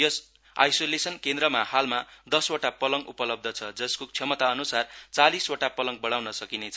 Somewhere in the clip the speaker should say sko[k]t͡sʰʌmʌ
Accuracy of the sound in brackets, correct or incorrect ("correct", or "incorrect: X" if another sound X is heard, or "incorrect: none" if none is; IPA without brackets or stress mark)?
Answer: correct